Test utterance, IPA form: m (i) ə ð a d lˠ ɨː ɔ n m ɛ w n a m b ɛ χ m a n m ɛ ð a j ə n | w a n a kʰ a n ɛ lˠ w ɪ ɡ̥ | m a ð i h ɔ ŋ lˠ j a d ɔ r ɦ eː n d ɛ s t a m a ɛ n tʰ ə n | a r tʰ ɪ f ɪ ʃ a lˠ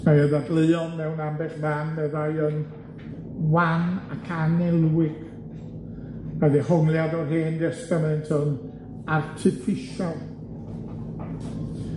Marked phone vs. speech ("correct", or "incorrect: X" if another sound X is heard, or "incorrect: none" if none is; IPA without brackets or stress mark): incorrect: a